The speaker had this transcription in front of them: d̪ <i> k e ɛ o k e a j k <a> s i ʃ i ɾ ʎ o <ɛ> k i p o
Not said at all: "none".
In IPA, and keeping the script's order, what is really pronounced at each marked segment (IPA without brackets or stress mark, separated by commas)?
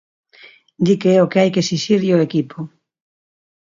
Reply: i, e, e